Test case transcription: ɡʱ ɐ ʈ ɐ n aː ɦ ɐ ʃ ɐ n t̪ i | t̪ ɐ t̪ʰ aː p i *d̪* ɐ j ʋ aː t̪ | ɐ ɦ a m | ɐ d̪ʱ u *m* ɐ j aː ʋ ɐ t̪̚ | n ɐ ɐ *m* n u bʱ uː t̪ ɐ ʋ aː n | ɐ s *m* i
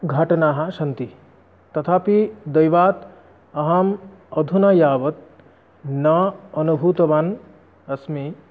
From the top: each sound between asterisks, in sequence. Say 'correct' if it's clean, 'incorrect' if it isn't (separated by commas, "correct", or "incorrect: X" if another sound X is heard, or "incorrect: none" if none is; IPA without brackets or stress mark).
correct, incorrect: n, incorrect: none, correct